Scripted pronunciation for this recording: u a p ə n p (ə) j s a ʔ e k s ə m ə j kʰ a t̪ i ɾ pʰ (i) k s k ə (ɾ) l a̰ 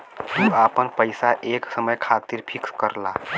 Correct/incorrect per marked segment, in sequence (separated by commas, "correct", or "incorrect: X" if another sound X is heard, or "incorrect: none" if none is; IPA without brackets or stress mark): correct, correct, correct